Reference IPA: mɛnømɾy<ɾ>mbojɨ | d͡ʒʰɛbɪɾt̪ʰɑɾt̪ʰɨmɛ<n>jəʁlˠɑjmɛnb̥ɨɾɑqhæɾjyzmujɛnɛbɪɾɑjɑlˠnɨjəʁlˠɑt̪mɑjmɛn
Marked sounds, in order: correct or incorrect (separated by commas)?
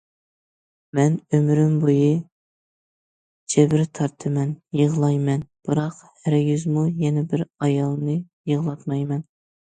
incorrect, correct